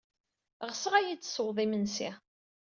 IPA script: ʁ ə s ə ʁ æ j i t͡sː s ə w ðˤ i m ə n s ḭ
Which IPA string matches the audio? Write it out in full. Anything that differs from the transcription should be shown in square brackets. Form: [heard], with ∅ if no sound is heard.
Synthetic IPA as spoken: ʁ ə s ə ʁ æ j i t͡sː s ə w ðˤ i m ə n s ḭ